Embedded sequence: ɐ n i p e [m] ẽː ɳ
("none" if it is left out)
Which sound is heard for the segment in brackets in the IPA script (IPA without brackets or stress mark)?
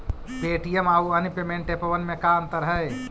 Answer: m